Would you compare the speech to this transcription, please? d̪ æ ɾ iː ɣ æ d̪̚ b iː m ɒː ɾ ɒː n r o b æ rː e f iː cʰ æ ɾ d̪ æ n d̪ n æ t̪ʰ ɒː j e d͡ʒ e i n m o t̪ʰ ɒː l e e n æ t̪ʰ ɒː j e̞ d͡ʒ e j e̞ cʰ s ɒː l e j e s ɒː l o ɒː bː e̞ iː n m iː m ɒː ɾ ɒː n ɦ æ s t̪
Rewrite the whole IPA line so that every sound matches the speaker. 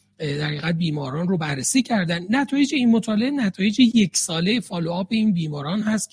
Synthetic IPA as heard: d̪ æ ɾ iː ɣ æ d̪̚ b iː m ɒː ɾ ɒː n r o b æ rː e s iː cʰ æ ɾ d̪ æ n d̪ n æ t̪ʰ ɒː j e d͡ʒ e i n m o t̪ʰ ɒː l e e n æ t̪ʰ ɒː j e̞ d͡ʒ e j e̞ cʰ s ɒː l e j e f ɒː l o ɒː b e̞ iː n b iː m ɒː ɾ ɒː n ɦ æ s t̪